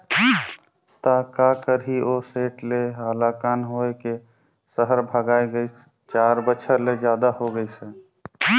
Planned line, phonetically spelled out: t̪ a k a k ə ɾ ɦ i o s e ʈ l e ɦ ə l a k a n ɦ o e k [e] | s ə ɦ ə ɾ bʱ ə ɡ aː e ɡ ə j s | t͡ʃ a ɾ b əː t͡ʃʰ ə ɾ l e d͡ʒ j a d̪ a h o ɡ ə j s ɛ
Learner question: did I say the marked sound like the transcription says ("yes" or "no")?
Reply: yes